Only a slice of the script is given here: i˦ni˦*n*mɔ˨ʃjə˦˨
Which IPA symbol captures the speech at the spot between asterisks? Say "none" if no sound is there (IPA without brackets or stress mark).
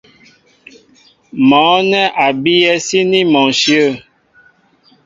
none